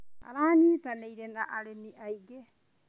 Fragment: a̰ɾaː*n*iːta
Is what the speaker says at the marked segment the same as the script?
yes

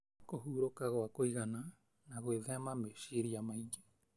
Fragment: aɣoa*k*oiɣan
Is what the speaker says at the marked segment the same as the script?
yes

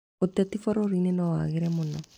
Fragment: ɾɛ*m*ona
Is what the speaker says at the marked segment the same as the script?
yes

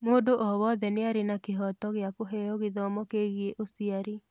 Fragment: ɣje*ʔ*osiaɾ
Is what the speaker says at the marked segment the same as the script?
yes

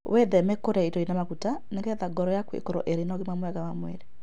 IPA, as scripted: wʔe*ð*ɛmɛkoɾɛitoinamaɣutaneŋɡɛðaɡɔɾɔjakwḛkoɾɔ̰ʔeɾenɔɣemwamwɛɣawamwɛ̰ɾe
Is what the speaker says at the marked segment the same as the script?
yes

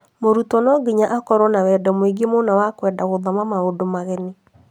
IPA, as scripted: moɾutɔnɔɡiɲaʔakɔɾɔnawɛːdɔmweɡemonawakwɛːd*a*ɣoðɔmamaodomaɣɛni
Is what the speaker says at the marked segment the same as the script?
yes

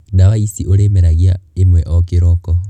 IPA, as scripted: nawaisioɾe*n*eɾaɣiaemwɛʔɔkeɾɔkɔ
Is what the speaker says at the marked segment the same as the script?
no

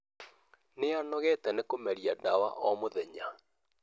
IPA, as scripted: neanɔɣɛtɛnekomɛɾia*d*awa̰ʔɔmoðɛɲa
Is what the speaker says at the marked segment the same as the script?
yes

